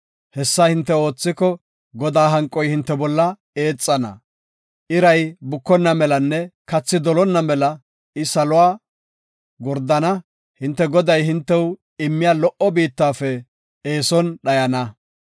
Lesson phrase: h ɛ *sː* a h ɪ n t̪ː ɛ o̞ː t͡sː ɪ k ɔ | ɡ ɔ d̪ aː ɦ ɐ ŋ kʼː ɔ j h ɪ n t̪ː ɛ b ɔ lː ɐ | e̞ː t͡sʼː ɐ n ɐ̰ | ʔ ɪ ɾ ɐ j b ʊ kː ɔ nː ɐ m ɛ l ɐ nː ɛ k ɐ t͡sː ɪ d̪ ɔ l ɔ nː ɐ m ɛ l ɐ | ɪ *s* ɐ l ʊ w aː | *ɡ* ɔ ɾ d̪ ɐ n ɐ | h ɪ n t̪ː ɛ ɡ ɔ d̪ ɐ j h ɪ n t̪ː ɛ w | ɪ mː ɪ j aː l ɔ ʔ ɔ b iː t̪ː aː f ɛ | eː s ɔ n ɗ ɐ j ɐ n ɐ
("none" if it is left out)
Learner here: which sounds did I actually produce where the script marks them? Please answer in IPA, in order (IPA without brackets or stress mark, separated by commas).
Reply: sː, s, ɡ